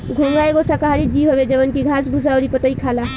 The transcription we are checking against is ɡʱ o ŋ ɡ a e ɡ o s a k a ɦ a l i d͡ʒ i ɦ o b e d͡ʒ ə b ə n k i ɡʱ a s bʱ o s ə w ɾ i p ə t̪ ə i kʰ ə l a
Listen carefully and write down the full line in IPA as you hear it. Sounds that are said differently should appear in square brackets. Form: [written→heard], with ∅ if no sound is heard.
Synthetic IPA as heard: ɡʱ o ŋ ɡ a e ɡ o s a k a ɦ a [l→ɾ] i d͡ʒ i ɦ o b e d͡ʒ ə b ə n k i ɡʱ a s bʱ [o→u] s [ə→a] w ɾ i p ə t̪ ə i kʰ [ə→a] l a